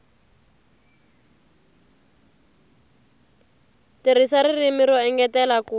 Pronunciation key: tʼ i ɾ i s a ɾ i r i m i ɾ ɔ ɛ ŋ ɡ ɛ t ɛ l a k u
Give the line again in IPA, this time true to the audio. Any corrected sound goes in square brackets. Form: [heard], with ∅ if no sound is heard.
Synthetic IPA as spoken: [t] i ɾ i s a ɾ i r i m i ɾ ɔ ɛ ŋ ɡ ɛ t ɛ l a k u